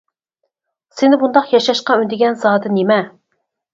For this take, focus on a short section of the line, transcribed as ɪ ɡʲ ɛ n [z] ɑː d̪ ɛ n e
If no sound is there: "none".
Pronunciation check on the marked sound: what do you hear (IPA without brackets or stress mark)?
z